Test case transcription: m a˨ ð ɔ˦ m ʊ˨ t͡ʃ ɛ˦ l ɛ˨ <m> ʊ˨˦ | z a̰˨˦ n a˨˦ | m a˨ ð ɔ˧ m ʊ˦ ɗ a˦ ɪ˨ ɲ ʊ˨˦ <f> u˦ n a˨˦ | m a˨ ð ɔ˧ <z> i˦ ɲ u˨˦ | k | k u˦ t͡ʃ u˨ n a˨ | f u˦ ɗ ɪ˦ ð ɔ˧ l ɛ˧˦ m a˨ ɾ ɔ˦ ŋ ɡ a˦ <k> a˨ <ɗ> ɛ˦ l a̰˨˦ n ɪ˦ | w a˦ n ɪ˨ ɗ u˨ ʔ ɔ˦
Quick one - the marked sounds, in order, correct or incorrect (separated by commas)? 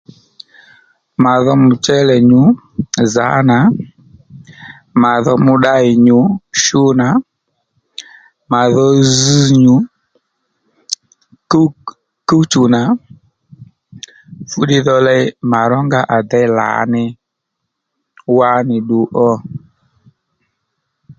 incorrect, incorrect, correct, incorrect, incorrect